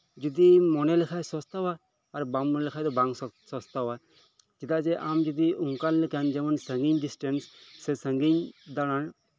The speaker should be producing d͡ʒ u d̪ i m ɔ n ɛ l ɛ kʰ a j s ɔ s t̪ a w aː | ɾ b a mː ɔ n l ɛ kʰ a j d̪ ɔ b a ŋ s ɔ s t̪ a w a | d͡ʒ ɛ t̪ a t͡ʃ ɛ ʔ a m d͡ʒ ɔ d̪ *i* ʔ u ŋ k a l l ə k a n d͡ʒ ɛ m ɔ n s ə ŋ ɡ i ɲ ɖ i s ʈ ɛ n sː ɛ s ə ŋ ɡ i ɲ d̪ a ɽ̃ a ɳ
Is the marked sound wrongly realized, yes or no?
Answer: no